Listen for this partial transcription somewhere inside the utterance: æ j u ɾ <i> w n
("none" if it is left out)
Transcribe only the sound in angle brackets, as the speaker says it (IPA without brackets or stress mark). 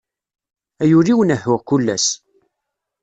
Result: i